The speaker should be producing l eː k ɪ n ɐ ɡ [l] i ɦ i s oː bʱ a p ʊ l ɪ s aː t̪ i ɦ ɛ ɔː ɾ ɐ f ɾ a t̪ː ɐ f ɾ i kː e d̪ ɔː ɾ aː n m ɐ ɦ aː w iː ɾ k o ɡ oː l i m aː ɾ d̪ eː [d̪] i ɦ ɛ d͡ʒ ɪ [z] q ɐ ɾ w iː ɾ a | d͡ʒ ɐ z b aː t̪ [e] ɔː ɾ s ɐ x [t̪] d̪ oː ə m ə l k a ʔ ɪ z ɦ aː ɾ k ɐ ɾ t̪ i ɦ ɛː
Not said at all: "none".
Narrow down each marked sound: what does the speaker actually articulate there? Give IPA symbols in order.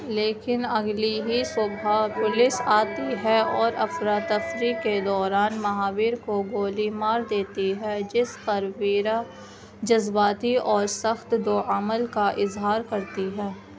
l, t̪, s, i, t̪

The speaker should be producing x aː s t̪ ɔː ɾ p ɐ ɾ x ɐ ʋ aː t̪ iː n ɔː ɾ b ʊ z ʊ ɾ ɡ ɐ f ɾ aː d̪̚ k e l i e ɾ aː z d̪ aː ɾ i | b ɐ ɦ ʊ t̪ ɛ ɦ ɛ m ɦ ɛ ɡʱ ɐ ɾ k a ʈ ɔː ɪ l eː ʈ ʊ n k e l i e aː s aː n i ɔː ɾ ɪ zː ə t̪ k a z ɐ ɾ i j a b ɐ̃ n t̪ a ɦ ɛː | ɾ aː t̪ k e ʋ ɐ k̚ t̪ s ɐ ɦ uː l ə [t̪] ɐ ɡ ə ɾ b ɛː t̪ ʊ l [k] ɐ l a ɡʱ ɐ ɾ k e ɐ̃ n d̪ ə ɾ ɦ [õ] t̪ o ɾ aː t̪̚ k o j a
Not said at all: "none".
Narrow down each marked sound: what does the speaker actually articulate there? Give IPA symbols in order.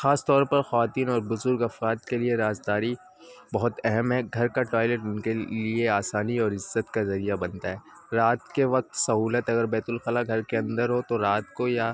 t̪, x, o

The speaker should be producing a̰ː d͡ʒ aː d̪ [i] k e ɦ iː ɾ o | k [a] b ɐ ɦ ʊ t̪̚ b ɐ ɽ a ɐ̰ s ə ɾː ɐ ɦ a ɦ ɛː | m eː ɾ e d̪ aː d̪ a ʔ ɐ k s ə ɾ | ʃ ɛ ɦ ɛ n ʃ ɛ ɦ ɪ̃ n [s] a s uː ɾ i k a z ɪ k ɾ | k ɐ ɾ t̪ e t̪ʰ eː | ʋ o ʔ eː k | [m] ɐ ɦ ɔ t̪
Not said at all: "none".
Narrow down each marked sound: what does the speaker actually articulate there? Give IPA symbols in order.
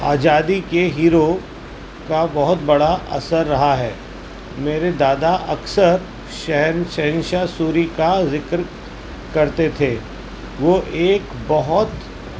i, a, ʃ, b

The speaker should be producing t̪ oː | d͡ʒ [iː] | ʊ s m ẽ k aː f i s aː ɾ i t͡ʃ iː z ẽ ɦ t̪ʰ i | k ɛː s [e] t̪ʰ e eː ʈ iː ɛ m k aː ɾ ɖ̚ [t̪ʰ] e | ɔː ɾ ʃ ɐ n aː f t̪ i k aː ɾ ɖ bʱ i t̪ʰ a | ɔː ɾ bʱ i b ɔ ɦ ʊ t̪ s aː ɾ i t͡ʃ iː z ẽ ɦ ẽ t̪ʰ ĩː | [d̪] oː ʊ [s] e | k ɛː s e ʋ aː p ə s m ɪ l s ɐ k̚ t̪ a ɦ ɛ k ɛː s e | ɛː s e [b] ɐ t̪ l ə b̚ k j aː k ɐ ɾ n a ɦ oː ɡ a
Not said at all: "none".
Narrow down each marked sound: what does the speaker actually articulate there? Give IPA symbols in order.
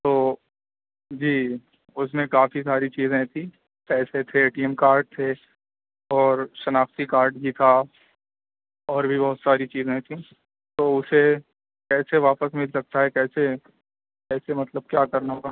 iː, e, t̪ʰ, t̪, s, m

